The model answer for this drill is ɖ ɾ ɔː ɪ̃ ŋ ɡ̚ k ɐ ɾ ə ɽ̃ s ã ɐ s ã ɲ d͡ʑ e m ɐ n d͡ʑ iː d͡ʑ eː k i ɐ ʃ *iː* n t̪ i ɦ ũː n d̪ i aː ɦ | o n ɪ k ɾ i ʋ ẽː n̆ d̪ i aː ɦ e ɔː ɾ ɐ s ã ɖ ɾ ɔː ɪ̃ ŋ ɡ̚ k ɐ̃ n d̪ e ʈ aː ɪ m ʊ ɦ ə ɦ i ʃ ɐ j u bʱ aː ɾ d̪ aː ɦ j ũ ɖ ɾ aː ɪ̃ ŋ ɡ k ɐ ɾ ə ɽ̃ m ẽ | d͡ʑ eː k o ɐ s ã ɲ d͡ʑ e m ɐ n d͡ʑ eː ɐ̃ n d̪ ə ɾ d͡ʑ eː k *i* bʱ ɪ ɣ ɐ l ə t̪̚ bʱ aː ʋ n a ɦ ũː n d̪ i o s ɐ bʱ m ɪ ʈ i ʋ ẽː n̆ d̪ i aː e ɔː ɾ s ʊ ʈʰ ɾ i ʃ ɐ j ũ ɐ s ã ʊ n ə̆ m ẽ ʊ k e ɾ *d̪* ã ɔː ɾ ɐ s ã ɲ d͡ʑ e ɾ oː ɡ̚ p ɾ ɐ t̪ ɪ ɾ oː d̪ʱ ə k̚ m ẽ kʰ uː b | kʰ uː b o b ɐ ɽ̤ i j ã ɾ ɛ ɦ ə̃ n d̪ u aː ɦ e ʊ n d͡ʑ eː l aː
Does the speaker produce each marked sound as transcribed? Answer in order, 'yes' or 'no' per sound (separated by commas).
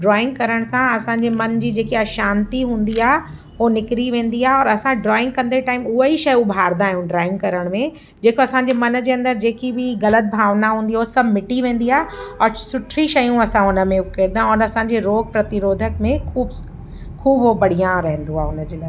no, yes, yes